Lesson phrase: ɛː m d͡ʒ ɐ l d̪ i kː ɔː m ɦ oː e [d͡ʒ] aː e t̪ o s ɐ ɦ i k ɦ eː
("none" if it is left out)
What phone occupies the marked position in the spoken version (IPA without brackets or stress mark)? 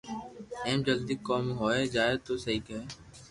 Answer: d͡ʒ